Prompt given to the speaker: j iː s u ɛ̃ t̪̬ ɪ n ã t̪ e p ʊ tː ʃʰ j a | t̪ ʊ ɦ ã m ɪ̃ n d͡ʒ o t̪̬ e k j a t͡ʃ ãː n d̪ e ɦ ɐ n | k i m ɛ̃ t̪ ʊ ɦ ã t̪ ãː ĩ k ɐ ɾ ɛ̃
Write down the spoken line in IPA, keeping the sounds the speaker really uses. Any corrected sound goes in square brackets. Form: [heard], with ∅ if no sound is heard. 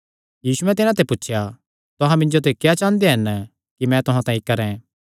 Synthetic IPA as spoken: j iː s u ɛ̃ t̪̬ ɪ n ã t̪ e p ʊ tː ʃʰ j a | t̪ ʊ ɦ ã m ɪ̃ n d͡ʒ o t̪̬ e k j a t͡ʃ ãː n d̪ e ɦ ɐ n | k i m ɛ̃ t̪ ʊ ɦ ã t̪ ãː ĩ k ɐ ɾ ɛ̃